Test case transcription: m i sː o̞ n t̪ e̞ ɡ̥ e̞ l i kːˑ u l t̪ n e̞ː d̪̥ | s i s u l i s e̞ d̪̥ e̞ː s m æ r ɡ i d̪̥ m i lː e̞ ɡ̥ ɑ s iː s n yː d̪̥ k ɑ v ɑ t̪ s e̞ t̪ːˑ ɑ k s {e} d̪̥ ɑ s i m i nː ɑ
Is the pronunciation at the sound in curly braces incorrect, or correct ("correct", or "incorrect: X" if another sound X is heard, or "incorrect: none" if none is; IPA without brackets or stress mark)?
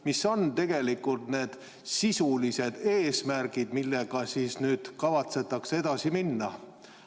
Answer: correct